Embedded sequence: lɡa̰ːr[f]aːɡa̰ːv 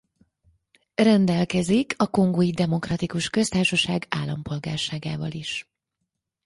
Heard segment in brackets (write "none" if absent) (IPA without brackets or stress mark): ʃ